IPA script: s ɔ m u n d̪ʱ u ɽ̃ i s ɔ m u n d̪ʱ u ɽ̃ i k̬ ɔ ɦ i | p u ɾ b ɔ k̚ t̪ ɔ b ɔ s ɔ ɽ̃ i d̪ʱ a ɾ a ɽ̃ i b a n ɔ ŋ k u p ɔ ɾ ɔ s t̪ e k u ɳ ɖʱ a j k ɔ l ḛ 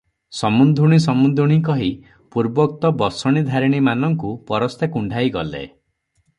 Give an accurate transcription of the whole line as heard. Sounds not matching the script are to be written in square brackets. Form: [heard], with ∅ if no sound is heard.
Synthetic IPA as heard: s ɔ m u n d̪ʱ u ɽ̃ i s ɔ m u n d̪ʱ u ɽ̃ i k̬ ɔ ɦ i | p u ɾ b ɔ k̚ t̪ ɔ b ɔ s ɔ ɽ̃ i d̪ʱ a ɾ [i] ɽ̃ i [m] a n ɔ ŋ k u p ɔ ɾ ɔ s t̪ e k u ɳ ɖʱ a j [ɡ] ɔ l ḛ

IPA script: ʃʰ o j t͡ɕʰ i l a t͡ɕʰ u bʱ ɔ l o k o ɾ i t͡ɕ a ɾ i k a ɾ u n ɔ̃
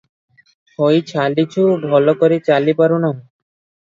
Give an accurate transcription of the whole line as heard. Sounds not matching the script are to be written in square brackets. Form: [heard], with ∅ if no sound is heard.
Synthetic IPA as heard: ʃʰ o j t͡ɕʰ [a] l [i] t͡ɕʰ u bʱ ɔ l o k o ɾ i t͡ɕ a [l] i [p] a ɾ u n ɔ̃

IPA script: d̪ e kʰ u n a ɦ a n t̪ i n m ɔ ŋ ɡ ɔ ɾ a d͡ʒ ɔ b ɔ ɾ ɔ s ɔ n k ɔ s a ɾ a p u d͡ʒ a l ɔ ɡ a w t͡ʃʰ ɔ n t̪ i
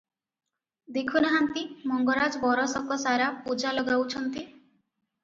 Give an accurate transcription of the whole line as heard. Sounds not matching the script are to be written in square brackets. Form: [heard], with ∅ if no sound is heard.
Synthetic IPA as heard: d̪ e kʰ u n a ɦ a n t̪ i [∅] m ɔ ŋ ɡ ɔ ɾ a d͡ʒ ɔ b ɔ ɾ ɔ s ɔ [∅] k ɔ s a ɾ a p u d͡ʒ a l ɔ ɡ a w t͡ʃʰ ɔ n t̪ i

